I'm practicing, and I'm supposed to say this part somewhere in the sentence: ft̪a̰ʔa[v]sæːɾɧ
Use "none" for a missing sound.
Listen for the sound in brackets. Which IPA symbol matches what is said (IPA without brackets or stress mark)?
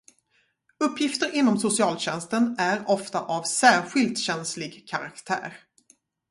v